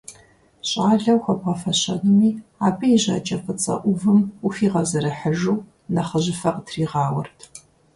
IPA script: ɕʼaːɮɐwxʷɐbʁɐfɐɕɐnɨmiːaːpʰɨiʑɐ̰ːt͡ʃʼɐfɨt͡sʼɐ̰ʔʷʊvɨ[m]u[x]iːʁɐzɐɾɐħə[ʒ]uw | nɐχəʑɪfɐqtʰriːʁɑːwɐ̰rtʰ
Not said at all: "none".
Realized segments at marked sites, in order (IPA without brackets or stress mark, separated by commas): m, f, ʒ